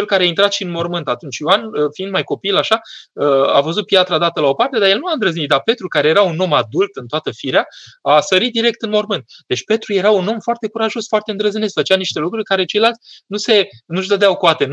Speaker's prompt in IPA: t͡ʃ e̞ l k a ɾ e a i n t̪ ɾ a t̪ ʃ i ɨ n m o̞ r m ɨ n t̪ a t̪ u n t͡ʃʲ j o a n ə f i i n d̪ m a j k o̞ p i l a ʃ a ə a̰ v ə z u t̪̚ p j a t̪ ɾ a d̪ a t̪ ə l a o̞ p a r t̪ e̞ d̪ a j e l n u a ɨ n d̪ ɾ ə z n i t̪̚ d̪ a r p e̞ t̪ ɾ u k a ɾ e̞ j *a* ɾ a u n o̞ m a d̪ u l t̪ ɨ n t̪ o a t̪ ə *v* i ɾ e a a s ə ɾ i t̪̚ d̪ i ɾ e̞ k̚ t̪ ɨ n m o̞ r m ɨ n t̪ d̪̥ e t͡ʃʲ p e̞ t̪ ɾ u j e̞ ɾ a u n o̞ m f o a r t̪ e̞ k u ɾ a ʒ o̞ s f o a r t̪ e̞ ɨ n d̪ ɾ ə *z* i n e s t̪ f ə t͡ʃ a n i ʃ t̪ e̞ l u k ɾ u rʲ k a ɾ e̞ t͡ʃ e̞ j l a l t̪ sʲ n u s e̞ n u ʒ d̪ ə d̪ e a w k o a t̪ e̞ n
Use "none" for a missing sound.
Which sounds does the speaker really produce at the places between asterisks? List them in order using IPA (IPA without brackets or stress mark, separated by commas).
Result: e, f, z